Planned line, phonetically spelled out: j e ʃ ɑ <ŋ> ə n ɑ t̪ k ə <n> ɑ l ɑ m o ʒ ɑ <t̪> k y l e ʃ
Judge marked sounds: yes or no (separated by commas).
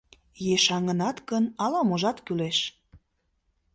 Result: yes, yes, yes